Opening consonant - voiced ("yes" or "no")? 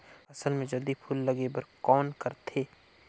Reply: no